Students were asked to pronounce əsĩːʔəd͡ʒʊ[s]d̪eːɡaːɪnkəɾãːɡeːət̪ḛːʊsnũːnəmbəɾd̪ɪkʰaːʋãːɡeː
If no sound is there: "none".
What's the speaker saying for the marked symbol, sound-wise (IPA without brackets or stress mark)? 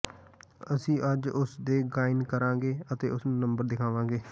s